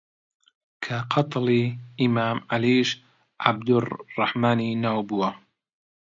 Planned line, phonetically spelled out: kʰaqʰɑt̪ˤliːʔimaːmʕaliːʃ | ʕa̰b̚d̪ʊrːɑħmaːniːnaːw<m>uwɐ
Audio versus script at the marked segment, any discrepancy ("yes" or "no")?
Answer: yes